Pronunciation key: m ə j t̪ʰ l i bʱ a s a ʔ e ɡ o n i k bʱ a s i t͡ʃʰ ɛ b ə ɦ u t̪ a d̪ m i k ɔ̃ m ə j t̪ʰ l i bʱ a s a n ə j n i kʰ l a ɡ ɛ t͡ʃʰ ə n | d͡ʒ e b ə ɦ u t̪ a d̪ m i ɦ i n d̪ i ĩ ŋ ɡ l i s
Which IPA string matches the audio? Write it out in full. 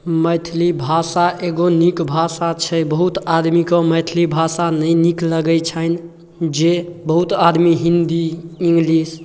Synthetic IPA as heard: m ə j t̪ʰ l i bʱ a s a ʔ e ɡ o n i k bʱ a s a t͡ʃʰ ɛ b ə ɦ u t̪ a d̪ m i k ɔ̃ m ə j t̪ʰ l i bʱ a s a n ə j n i k l ə ɡ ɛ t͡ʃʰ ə n | d͡ʒ e b ə ɦ u t̪ a d̪ m i ɦ i n d̪ i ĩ ŋ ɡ l i s